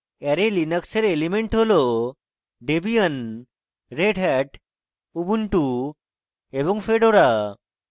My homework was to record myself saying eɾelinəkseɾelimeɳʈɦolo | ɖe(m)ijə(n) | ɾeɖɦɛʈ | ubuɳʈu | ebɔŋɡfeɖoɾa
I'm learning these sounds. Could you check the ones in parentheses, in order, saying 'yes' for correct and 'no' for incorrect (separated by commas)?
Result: no, yes